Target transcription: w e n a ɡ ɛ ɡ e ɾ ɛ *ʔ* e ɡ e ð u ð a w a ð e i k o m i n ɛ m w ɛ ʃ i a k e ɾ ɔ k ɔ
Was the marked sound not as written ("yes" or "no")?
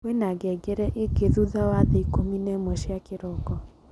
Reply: no